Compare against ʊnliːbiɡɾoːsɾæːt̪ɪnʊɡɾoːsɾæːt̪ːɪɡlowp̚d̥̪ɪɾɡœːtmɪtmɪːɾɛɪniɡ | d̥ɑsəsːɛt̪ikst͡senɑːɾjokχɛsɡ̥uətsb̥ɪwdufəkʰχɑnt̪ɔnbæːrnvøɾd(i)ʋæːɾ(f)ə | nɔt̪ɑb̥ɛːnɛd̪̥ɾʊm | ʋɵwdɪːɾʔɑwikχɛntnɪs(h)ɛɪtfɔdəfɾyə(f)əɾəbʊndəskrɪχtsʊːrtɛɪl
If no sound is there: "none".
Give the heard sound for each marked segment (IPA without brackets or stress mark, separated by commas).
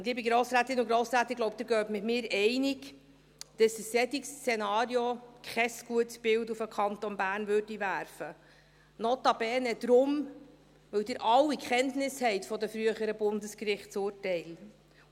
i, f, h, χ